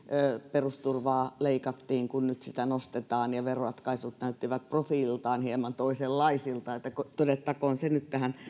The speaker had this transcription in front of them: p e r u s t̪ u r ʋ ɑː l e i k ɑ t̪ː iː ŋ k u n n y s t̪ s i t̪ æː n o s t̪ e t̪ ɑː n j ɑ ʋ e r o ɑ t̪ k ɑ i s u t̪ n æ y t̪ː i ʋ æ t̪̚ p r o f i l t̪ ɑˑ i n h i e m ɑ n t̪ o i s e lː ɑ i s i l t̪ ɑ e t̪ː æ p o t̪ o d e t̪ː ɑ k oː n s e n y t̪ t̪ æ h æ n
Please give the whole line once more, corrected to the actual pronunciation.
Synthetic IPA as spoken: p e r u s t̪ u r ʋ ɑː l e i k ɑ t̪ː iː ŋ k u n n y t̪ s i t̪ æ n o s t̪ e t̪ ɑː n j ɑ ʋ e r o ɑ t̪ k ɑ i s u t̪ n æ y t̪ː i ʋ æ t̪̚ p r o f i l t̪ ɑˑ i n h i e m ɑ n t̪ o i s e lː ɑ i s i l t̪ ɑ e t̪ː æ k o t̪ o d e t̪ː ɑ k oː n s e n y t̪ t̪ æ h æ n